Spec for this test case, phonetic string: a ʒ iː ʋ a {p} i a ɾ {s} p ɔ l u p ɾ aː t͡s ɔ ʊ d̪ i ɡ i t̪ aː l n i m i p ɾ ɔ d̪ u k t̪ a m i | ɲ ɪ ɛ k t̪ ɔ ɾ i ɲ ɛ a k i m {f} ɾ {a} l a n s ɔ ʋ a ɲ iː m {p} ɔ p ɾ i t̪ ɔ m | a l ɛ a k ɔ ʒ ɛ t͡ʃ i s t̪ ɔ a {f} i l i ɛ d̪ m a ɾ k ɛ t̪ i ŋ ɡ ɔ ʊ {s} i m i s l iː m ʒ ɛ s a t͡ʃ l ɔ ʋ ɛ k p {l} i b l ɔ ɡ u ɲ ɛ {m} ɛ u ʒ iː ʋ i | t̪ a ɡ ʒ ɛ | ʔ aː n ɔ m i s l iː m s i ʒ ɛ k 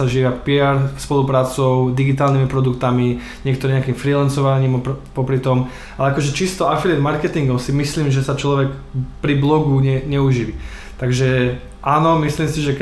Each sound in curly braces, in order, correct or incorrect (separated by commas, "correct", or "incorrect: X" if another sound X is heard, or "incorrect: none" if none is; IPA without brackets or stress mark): correct, correct, correct, incorrect: i, correct, correct, correct, incorrect: ɾ, incorrect: ɲ